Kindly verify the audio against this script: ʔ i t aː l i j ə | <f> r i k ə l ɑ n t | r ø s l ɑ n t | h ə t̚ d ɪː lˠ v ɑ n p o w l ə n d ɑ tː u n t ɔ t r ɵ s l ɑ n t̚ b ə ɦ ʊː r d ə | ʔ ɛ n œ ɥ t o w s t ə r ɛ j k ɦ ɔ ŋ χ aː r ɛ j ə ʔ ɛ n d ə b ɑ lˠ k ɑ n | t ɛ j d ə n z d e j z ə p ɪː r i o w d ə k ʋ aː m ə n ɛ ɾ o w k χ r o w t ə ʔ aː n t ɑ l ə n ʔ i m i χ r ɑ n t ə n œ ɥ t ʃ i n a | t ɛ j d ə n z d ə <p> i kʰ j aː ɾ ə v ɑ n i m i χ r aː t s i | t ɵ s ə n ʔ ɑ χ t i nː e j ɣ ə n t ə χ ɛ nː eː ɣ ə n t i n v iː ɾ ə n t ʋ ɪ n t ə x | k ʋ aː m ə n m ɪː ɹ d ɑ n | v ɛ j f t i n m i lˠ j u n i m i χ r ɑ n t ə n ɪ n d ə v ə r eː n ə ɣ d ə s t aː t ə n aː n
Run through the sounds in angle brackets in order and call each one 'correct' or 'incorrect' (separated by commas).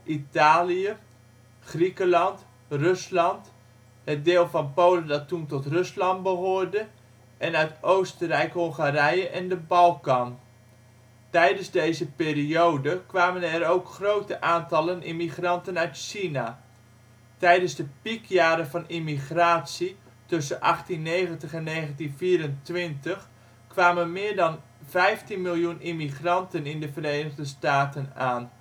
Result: incorrect, correct